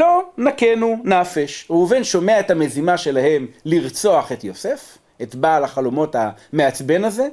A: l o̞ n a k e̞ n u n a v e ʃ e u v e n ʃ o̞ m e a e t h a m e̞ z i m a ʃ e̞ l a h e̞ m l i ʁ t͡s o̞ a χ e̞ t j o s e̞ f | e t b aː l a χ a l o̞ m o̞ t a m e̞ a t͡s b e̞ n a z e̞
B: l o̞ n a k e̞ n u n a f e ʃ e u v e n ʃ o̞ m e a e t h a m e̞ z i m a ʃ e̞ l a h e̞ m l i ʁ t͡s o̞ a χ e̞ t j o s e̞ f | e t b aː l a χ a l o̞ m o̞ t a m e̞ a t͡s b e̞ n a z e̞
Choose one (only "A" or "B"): B